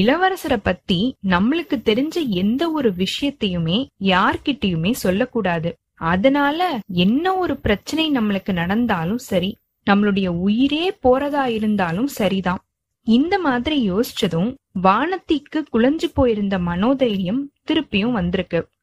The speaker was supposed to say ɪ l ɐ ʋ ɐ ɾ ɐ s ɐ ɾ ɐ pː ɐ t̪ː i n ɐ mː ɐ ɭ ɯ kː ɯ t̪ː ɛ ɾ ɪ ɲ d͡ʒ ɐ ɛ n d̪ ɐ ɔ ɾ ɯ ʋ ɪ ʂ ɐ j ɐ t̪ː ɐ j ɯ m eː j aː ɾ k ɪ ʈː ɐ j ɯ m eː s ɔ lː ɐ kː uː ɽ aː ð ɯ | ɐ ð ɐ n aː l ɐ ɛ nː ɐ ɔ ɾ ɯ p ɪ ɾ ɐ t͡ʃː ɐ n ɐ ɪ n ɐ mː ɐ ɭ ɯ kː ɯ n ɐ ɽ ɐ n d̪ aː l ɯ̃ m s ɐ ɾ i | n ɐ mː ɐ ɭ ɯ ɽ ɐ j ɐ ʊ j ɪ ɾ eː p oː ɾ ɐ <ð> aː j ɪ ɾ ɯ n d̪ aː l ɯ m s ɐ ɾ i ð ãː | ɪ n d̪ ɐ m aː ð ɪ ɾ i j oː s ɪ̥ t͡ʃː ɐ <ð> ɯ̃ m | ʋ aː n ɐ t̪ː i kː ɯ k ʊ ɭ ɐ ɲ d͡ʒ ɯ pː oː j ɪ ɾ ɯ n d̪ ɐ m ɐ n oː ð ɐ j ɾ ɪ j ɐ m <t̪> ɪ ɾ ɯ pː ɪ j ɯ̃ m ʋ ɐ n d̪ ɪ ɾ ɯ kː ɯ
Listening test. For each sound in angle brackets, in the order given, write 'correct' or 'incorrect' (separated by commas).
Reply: correct, correct, correct